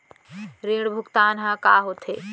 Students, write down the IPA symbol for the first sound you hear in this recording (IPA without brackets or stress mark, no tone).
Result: ɾ